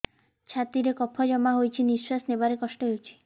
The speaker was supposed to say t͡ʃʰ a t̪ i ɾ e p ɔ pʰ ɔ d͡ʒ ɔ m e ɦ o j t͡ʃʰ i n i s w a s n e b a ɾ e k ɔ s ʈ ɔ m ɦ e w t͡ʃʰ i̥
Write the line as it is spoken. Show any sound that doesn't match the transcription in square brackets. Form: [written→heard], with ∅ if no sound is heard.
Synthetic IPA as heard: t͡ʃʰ a t̪ i ɾ e [p→k] ɔ pʰ ɔ d͡ʒ ɔ m [e→a] ɦ o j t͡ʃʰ i n i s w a s n e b a ɾ e k ɔ s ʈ ɔ [m→∅] ɦ e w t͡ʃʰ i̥